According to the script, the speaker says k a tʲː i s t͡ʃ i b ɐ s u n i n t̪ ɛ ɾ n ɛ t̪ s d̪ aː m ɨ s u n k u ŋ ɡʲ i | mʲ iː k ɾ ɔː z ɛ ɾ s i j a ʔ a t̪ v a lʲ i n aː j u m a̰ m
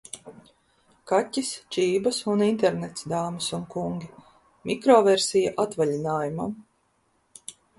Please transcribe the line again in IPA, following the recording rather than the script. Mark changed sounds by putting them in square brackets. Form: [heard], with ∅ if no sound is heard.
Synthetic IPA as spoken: k a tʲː i s t͡ʃ [iː] b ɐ s u n i n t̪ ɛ ɾ n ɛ t̪ s d̪ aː m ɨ s u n k u ŋ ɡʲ i | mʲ [i] k ɾ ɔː [v] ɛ ɾ s i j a ʔ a t̪ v a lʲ i n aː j u m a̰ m